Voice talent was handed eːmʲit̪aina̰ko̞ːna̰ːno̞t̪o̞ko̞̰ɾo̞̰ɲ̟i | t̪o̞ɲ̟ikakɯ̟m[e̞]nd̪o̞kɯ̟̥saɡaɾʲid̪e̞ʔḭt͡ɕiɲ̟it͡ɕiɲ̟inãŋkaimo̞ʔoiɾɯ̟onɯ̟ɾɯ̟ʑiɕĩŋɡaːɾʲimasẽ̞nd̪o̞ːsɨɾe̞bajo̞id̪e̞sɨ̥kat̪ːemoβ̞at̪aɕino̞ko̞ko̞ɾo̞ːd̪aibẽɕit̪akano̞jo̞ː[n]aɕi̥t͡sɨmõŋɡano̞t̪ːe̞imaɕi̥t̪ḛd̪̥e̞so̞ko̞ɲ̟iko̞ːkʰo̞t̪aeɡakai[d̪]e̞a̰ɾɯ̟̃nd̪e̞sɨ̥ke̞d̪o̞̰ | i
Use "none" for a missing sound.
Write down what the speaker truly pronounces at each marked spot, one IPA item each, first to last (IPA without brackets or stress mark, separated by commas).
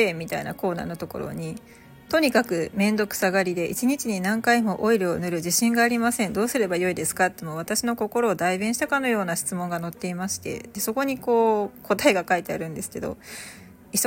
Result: ẽ̞, n, t̪